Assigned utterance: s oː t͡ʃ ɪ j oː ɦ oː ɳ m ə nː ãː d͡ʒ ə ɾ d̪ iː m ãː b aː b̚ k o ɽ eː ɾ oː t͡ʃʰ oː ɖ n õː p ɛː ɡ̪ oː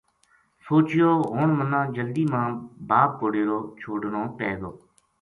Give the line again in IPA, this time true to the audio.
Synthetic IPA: s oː t͡ʃ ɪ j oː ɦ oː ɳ m ə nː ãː d͡ʒ ə l d̪ iː m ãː b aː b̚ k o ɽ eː ɾ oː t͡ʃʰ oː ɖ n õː p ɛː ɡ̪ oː